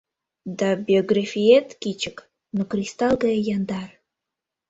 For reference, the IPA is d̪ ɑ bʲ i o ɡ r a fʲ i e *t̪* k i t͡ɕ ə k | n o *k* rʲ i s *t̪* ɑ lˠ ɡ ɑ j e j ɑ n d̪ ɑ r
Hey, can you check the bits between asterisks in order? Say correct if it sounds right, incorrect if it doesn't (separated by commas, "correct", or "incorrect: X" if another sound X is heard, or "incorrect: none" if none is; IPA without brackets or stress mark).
correct, correct, correct